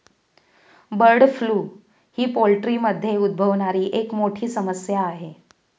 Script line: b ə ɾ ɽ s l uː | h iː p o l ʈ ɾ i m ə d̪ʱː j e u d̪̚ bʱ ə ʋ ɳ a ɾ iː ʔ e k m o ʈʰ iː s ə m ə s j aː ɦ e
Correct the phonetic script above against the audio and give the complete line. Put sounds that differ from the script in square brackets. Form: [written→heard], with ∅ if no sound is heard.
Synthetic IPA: b ə ɾ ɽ [s→f] l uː | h iː p o l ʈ ɾ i m ə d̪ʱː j e u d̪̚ bʱ ə ʋ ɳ a ɾ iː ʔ e k m o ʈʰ iː s ə m ə s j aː ɦ e